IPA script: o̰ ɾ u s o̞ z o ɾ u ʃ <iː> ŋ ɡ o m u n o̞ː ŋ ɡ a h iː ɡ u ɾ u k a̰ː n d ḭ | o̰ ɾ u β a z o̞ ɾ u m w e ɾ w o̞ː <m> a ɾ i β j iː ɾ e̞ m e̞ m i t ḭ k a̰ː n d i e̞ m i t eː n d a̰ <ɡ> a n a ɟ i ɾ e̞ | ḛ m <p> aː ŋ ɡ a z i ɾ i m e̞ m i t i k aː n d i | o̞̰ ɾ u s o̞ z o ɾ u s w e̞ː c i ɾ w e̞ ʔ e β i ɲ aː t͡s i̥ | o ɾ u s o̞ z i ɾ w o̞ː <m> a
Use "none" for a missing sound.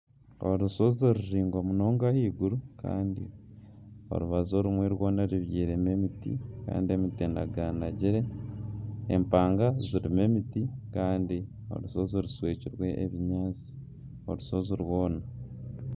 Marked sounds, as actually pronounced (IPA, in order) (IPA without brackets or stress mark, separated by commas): iː, n, ɡ, p, n